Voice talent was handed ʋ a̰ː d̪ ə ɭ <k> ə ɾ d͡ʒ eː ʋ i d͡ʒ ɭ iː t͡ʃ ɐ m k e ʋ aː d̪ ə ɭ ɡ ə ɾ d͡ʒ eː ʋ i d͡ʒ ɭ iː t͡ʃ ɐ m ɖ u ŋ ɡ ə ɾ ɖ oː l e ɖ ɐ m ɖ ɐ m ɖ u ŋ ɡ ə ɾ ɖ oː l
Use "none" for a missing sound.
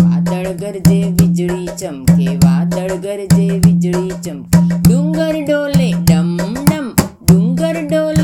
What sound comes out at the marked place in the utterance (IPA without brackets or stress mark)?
ɡ